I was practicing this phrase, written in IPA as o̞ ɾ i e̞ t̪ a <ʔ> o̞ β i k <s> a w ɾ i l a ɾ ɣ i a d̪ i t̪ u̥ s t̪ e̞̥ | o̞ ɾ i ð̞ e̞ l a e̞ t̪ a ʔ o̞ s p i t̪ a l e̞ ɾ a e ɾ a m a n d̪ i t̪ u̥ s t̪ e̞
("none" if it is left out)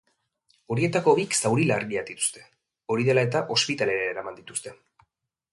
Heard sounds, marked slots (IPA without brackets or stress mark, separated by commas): k, s